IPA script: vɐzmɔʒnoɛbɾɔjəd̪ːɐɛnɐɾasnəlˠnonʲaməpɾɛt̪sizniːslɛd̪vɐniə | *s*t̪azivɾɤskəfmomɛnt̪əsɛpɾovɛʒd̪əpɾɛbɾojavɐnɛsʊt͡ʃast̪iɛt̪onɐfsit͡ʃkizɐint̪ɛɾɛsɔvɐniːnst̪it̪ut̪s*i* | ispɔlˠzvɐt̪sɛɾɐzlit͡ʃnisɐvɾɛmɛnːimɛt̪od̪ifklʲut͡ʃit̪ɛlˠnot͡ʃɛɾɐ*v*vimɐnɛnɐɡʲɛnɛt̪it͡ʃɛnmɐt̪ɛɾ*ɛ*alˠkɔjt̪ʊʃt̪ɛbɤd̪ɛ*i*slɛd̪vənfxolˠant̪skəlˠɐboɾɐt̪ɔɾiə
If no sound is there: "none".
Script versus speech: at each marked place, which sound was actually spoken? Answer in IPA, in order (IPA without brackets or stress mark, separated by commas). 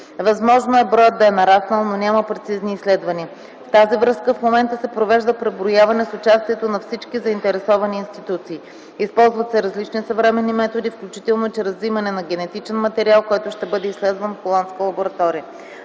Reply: f, iː, z, i, i